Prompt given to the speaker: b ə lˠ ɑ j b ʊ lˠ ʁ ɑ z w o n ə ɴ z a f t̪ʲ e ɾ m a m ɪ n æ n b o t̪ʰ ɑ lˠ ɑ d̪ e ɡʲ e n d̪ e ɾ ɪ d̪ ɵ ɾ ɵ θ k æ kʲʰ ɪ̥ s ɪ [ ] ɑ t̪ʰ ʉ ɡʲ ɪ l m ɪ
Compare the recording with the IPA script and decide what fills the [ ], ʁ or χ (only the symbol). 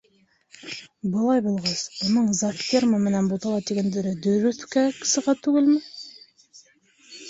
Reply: ʁ